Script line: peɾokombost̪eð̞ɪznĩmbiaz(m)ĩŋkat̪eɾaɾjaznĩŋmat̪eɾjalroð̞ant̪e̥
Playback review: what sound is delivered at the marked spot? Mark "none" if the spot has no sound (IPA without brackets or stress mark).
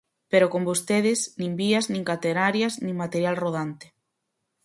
n